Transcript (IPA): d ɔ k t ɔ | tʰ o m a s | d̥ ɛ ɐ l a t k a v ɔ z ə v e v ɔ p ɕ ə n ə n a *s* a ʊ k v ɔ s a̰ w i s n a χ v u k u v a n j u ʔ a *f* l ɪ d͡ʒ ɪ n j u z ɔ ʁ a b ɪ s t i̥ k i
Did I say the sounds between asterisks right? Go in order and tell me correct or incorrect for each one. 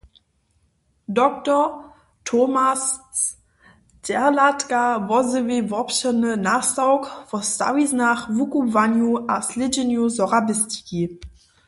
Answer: correct, incorrect

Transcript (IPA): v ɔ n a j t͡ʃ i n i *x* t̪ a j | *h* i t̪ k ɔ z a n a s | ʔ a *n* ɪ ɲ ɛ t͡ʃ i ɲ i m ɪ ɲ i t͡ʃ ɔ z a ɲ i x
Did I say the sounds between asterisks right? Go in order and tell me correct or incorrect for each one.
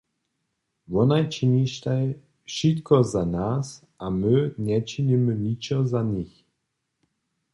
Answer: incorrect, incorrect, incorrect

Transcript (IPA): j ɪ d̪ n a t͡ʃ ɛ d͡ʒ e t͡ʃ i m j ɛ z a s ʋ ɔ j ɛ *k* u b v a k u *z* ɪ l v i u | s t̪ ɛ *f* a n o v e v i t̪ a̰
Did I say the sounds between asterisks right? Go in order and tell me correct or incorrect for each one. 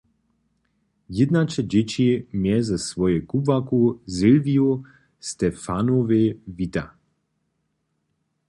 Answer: correct, correct, correct

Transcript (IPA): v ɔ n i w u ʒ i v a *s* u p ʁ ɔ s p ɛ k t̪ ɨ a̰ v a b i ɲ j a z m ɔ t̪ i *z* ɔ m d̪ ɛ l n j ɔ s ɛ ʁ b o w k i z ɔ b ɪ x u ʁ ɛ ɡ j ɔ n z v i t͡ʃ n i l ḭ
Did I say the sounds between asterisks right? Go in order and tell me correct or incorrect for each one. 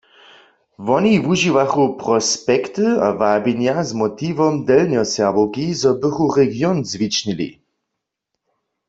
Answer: incorrect, incorrect

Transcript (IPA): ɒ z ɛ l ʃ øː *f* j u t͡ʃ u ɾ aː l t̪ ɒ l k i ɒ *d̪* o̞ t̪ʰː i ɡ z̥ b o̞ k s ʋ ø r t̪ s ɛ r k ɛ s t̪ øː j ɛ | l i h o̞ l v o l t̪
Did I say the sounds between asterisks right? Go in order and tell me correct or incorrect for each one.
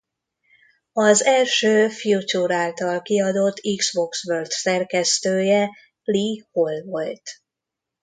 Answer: correct, correct

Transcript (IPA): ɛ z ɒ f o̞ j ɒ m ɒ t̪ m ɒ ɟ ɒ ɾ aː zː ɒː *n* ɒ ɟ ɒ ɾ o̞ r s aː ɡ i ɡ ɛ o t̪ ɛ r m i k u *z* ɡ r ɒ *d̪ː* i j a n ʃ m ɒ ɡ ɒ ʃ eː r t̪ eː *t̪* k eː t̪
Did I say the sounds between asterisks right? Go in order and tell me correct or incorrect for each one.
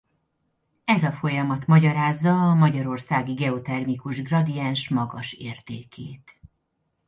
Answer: incorrect, incorrect, incorrect, incorrect

